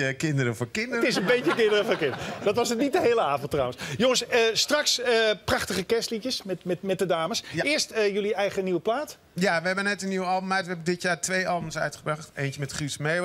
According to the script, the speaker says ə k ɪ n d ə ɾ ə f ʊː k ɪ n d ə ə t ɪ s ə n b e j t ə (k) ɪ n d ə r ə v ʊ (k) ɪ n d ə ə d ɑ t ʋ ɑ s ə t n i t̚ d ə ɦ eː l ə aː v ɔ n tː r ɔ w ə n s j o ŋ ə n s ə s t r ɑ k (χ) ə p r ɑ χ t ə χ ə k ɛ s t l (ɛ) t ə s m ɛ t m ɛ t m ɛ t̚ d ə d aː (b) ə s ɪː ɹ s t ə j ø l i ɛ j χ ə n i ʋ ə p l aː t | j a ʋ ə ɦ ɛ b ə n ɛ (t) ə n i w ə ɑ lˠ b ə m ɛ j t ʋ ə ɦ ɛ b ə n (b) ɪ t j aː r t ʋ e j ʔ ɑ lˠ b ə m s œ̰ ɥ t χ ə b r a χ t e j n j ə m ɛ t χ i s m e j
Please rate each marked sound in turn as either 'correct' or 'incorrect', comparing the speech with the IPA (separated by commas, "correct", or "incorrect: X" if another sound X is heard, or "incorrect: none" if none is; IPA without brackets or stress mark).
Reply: correct, correct, incorrect: s, incorrect: i, incorrect: m, correct, incorrect: d